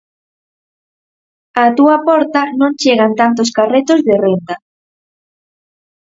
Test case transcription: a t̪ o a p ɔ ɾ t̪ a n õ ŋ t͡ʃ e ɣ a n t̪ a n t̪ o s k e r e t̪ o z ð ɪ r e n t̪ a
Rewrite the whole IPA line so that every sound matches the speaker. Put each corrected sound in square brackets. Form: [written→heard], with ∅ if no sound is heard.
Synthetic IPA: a t̪ [o→u] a p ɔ ɾ t̪ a n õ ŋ t͡ʃ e ɣ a n t̪ a n t̪ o s k [e→a] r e t̪ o z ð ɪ r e n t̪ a